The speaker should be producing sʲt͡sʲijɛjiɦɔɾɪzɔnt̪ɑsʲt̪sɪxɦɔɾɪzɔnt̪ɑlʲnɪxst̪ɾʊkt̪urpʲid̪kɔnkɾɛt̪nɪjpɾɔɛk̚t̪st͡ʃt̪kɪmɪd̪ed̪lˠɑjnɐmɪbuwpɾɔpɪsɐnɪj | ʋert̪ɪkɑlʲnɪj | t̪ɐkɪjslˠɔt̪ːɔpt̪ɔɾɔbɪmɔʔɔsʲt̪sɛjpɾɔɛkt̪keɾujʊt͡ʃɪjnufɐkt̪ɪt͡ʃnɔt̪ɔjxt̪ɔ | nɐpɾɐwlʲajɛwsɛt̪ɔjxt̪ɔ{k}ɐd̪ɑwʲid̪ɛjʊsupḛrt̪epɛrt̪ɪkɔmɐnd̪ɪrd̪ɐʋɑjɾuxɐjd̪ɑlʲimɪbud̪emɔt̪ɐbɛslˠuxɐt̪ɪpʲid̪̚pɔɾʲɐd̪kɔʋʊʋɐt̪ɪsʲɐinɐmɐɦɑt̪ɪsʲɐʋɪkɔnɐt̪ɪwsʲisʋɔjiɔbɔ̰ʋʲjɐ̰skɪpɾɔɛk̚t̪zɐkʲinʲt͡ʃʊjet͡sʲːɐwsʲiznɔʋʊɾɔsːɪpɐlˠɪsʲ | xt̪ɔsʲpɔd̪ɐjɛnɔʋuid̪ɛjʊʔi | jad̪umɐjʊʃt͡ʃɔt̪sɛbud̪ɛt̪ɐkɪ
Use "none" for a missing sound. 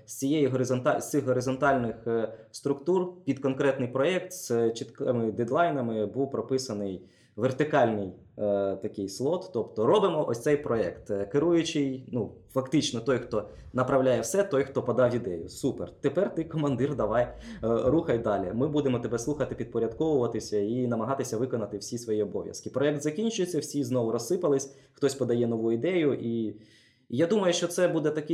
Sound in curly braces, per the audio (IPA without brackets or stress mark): p